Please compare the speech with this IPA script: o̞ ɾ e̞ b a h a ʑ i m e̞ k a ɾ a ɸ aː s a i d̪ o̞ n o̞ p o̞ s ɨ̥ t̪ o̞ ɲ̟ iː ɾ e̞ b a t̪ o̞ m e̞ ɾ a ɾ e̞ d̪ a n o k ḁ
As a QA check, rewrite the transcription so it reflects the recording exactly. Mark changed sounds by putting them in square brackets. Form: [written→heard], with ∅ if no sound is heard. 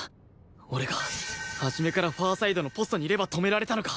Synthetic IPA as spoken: o̞ ɾ e̞ [b→ɡ] a h a ʑ i m e̞ k a ɾ a ɸ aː s a i d̪ o̞ n o̞ p o̞ s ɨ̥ t̪ o̞ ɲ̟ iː ɾ e̞ b a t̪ o̞ m e̞ ɾ a ɾ e̞ [d̪→t̪] a n o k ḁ